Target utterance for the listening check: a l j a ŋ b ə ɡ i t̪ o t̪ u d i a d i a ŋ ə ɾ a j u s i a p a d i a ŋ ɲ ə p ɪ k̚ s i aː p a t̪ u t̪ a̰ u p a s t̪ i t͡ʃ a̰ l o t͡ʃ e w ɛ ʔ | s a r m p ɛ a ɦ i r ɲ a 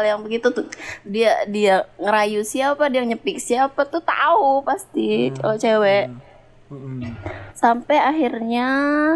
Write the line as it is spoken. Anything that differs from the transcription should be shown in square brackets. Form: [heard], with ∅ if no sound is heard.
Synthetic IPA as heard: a l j a ŋ b ə ɡ i t̪ [u] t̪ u d i a d i a ŋ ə ɾ a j u s i a p a d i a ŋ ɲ ə p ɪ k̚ s i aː p a t̪ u t̪ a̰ u p a s t̪ i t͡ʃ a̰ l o t͡ʃ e w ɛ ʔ | s a [∅] m p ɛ a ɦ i r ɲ a